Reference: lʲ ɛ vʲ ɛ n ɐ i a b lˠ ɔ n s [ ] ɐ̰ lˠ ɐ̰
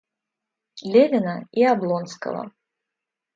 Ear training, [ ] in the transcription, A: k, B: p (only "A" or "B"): A